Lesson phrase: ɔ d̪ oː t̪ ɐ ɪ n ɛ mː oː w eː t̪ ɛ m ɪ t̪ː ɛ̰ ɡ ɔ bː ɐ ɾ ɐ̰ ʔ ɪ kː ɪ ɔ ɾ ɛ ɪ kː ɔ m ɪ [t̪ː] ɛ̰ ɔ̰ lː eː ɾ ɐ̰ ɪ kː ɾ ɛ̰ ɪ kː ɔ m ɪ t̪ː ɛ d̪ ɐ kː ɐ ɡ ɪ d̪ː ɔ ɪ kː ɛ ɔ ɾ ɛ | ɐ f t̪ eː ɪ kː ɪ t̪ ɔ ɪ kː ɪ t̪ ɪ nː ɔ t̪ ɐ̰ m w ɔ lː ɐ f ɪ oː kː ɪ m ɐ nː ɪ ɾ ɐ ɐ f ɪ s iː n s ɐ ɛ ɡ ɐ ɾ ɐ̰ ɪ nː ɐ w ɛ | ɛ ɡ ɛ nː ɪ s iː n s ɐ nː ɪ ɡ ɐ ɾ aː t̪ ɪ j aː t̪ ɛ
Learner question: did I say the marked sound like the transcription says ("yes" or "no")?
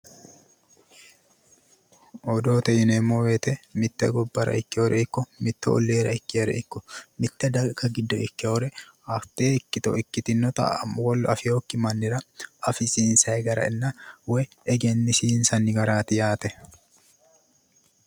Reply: yes